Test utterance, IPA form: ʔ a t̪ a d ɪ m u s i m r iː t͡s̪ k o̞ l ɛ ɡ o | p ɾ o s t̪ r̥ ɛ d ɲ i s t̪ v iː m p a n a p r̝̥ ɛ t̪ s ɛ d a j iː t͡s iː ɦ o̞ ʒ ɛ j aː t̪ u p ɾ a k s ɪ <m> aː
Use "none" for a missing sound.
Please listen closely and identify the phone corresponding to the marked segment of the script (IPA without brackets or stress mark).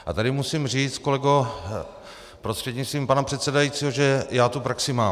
m